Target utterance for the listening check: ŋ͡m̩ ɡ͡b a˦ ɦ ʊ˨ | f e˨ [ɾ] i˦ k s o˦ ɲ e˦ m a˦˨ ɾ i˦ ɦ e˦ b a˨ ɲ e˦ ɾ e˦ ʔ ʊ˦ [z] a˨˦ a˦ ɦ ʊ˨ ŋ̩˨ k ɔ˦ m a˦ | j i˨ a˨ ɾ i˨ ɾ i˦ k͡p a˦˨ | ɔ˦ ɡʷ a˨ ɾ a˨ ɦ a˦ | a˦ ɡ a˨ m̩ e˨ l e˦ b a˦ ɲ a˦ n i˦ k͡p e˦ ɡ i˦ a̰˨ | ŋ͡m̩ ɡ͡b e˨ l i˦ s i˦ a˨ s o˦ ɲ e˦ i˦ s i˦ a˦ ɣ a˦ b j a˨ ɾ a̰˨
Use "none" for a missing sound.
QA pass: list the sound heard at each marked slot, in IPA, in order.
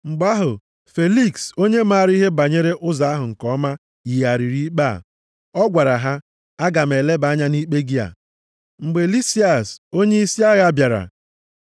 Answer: l, z

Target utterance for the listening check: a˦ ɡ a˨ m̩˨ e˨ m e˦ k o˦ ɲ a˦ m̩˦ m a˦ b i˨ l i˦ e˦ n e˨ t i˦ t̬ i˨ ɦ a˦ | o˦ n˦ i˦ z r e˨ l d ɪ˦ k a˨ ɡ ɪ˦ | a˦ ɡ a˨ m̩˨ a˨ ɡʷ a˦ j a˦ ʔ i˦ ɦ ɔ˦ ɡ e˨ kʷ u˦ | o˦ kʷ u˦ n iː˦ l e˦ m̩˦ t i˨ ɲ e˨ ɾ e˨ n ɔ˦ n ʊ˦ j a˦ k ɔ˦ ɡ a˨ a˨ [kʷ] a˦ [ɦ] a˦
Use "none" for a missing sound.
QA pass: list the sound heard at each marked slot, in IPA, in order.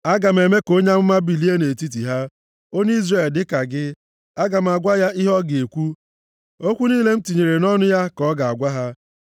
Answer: ɡʷ, ɦ

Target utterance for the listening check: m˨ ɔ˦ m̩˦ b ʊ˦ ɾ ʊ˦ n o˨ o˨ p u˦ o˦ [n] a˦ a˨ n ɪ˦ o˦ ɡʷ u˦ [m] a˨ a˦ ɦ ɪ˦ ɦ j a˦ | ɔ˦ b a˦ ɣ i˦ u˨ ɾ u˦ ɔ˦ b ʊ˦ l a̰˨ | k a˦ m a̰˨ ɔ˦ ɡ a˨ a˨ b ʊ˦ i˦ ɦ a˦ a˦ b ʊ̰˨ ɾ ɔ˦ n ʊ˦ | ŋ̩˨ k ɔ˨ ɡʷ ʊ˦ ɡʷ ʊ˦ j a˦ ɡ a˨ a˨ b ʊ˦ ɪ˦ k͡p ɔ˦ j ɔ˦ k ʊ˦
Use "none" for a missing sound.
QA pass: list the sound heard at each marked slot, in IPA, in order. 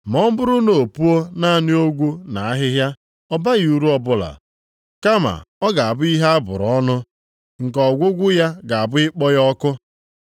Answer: n, n

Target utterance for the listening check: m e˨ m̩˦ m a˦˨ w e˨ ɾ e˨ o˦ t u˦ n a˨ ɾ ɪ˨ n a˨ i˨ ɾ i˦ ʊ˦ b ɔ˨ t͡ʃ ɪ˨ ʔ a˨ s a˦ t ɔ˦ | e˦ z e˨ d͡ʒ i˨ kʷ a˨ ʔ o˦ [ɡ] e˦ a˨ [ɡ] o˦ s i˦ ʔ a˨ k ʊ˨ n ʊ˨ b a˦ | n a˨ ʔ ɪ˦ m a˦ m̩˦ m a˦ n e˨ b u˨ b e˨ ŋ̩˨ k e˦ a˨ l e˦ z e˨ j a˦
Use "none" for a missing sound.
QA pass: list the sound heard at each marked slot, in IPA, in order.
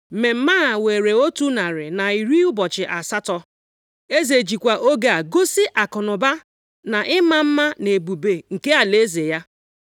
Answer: ɡ, ɡ

